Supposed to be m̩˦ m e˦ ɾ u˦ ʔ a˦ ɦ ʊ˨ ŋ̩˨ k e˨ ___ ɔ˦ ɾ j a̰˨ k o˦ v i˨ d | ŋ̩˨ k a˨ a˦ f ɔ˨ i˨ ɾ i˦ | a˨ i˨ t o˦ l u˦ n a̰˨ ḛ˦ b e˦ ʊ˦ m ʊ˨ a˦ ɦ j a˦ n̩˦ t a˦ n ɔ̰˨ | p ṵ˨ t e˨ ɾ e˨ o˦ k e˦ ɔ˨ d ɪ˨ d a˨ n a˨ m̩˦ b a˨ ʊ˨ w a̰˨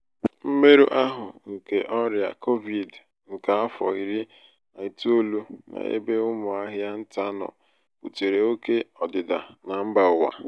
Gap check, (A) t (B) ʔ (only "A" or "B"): B